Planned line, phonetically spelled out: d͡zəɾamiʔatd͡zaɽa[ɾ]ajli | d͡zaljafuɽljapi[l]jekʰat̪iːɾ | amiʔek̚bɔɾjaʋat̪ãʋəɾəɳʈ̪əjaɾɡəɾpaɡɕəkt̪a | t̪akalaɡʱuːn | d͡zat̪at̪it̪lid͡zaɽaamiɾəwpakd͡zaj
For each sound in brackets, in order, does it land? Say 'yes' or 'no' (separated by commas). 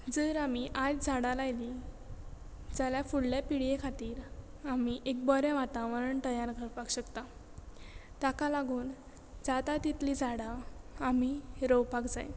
no, no